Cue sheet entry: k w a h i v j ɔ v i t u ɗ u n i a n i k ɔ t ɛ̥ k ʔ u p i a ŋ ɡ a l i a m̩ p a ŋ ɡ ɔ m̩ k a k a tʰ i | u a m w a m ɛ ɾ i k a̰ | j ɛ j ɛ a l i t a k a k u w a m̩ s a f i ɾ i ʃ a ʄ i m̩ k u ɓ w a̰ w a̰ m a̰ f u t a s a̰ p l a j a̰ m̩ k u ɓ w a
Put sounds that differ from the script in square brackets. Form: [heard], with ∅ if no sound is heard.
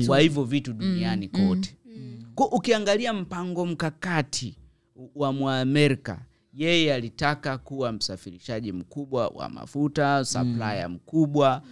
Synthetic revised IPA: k w a h i v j ɔ v i t u ɗ u n i a n i k ɔ t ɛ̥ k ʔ u [k] i a ŋ ɡ a l i a m̩ p a ŋ ɡ ɔ m̩ k a k a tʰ i | [w] a m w a m ɛ ɾ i k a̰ | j ɛ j ɛ a l i t a k a k u w a m̩ s a f i ɾ i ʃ a ʄ i m̩ k u ɓ w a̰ w a̰ m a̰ f u t a s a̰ p l a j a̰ m̩ k u ɓ w a